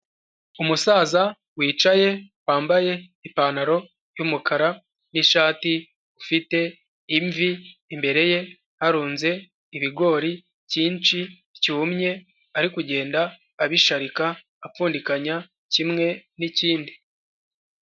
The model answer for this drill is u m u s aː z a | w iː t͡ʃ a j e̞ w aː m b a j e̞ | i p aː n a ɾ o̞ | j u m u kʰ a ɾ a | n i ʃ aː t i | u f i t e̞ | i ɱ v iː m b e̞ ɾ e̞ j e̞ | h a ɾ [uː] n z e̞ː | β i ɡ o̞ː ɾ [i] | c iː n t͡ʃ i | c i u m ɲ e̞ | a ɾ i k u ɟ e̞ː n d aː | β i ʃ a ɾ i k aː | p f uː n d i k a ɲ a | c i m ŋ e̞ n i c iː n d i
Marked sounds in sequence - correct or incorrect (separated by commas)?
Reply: correct, correct